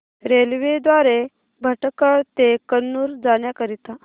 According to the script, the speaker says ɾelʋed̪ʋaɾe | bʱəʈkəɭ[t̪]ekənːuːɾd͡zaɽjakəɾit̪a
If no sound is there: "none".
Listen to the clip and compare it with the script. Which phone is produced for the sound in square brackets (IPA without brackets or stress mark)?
t̪